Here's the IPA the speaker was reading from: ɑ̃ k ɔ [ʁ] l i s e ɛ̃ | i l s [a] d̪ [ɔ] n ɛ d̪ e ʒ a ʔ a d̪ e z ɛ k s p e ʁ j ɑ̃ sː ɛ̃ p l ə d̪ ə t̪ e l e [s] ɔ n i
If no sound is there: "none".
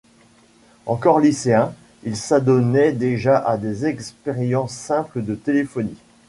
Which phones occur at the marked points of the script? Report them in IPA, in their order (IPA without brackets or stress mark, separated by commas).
ʁ, a, ɔ, f